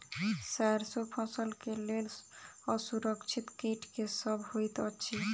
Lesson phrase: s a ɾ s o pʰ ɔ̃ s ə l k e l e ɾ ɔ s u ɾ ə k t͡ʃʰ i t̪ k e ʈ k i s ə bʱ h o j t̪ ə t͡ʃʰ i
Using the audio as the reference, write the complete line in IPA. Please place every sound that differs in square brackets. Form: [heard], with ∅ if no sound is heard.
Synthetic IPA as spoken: s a ɾ s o pʰ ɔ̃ s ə l k e l e [l] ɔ s u ɾ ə k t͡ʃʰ i t̪ k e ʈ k [e] s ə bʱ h o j t̪ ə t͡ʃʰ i